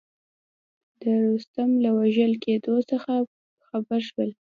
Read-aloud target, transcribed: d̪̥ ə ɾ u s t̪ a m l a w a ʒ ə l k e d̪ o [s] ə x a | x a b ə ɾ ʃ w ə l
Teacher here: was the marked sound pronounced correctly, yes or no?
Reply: yes